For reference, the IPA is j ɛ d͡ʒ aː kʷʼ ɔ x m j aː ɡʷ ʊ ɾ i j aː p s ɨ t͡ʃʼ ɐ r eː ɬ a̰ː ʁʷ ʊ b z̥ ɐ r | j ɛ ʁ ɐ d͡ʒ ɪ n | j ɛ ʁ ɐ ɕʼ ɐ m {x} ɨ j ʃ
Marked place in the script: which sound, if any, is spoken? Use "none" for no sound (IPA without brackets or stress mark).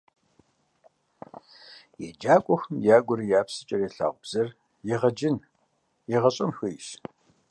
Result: x